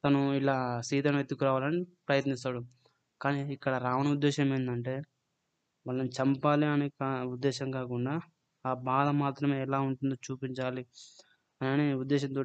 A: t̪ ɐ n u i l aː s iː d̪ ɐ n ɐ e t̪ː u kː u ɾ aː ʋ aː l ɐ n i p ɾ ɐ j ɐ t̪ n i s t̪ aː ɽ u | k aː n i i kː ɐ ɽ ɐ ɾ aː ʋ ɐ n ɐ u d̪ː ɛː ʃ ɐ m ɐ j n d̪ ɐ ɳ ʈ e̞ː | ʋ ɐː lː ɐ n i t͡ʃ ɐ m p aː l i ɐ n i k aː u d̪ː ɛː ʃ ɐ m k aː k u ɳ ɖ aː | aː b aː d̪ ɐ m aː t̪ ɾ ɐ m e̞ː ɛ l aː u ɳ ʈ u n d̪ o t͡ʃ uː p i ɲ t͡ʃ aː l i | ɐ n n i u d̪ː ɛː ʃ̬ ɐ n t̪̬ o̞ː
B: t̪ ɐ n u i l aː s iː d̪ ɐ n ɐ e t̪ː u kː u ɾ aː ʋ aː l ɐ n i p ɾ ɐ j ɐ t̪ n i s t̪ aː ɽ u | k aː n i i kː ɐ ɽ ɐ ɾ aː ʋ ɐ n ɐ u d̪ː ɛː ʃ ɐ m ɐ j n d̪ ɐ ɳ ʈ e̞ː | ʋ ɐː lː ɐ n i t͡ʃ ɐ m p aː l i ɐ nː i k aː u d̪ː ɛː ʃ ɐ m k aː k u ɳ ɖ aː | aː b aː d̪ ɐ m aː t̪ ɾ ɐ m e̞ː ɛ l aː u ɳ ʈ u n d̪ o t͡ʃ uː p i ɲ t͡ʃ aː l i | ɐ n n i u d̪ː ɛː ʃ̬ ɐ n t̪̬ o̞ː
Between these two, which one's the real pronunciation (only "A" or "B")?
A